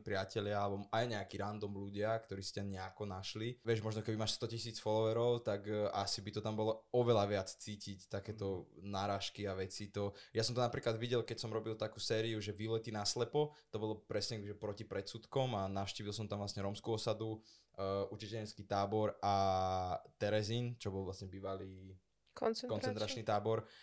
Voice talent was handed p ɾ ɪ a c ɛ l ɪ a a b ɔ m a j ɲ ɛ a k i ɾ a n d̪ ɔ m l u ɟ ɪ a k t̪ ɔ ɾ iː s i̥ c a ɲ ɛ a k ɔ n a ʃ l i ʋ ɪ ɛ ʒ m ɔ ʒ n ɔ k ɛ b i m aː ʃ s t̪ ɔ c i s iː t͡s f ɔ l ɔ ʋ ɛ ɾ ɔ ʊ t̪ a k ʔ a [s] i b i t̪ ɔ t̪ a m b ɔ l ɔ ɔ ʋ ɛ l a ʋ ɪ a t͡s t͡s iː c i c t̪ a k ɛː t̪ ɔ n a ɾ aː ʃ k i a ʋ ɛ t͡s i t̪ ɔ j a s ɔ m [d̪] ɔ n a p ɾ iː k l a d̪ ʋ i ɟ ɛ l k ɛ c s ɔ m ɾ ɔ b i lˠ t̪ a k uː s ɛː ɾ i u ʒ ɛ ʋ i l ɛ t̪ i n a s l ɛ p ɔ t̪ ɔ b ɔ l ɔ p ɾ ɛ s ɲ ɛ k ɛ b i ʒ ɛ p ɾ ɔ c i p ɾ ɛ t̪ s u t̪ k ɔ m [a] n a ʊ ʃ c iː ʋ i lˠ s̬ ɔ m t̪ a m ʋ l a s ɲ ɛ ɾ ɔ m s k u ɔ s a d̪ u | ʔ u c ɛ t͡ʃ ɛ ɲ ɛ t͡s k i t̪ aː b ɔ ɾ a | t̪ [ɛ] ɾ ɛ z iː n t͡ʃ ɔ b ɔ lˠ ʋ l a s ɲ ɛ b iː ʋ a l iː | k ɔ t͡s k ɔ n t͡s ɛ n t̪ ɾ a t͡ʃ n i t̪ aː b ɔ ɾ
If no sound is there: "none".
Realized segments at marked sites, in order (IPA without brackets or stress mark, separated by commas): s, t̪, a, ɛ